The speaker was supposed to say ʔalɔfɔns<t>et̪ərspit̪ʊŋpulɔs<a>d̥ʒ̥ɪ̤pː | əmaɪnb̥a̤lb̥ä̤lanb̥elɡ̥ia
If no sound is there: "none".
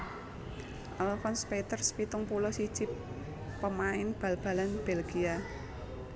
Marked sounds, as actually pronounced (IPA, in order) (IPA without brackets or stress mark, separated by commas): p, i